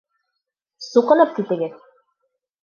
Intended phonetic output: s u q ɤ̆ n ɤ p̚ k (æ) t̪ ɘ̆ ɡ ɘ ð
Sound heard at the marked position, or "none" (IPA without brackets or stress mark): i